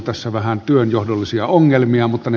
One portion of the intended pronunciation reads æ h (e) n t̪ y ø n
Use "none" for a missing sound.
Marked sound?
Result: æ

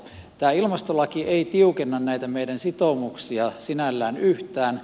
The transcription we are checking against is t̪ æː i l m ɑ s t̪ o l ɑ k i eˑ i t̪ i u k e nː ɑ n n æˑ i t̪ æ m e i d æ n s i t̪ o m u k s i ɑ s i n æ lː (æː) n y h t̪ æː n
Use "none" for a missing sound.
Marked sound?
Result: æː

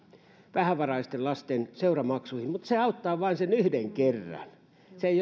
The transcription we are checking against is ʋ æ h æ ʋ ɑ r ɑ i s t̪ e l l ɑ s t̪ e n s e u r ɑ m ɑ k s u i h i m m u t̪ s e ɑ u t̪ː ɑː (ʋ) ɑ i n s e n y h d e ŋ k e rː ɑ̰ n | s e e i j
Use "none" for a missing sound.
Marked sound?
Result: ʋ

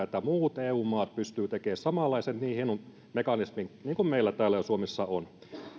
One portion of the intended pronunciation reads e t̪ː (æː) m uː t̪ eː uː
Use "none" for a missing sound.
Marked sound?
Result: æ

